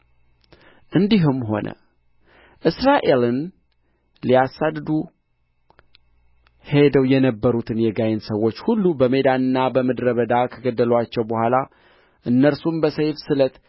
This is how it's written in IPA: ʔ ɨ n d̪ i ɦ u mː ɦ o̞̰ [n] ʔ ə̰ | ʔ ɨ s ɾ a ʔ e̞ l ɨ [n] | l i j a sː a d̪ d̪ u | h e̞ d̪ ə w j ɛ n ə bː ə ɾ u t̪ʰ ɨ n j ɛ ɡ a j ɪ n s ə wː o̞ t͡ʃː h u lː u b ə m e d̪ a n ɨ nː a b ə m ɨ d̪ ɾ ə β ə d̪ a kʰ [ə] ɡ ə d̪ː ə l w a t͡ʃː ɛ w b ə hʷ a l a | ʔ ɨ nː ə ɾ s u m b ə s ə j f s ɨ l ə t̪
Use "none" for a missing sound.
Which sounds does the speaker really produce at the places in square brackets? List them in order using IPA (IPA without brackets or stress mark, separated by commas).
n, n, ə